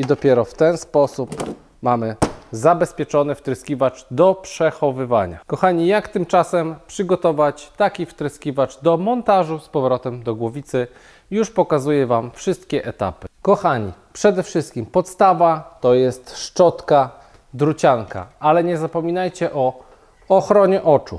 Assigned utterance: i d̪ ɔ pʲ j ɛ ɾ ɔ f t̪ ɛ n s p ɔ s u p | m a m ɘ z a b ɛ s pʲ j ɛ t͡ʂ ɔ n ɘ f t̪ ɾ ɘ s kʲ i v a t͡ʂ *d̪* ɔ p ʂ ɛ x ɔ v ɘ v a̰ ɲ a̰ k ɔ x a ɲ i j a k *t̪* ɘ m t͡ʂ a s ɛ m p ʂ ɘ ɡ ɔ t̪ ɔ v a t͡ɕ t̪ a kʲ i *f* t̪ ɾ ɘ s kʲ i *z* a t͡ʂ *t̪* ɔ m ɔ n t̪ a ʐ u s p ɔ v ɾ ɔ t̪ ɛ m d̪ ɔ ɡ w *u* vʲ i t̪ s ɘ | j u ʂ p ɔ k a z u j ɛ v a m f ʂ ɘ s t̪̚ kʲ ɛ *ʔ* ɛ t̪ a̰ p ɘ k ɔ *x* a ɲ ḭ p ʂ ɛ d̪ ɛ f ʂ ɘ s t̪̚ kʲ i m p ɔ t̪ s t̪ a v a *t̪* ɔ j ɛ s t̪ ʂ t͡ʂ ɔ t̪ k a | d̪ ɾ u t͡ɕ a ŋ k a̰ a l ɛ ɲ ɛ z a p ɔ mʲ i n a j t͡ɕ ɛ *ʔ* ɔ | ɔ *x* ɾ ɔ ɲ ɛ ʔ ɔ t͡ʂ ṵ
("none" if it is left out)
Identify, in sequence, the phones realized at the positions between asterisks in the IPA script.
d̪, t̪, f, v, d̪, ɔ, ʔ, x, t̪, ʔ, x

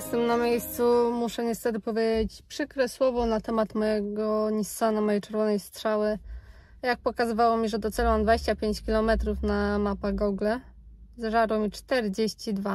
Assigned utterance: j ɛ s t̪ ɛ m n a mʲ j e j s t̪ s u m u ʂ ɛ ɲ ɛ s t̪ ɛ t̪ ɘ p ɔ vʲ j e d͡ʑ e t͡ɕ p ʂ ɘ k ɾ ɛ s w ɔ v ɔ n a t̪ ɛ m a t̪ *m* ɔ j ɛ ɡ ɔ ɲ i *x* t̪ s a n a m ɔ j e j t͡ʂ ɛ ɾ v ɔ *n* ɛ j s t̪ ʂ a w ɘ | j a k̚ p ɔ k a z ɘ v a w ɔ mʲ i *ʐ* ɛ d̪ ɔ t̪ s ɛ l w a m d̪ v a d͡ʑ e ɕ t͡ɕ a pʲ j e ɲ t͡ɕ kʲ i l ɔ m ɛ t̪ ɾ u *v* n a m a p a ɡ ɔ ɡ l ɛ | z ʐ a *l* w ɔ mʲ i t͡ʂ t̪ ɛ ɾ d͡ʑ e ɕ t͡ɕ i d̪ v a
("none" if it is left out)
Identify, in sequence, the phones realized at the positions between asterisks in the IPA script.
m, s, n, ʐ, f, ɾ

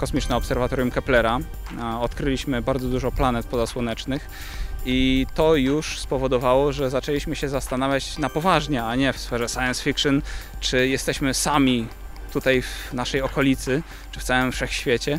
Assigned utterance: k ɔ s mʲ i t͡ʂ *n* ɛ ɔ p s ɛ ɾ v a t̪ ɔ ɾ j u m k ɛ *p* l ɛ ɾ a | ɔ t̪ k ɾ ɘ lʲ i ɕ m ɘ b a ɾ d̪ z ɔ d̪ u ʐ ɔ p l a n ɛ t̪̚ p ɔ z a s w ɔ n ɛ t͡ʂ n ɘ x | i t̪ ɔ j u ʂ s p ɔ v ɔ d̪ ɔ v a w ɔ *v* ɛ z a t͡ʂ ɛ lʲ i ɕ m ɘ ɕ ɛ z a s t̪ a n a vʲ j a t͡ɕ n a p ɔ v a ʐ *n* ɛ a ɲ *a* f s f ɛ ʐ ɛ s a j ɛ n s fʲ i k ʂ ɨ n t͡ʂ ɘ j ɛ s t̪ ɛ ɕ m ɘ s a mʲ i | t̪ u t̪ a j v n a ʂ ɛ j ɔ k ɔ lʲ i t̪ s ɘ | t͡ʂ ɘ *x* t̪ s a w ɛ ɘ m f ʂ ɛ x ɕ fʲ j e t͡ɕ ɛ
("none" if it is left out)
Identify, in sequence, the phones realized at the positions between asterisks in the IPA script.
n, p, ʐ, ɲ, ɛ, f

